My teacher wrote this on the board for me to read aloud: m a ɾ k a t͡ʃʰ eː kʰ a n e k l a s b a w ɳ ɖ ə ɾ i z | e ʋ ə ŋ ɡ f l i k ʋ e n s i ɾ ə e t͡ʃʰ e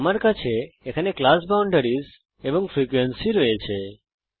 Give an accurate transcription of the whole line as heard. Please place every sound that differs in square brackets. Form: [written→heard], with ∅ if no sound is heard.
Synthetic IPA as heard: m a ɾ k a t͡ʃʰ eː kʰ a n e k l a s b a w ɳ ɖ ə ɾ i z | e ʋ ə ŋ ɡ f [l→ɾ] i k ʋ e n s i ɾ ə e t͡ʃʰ e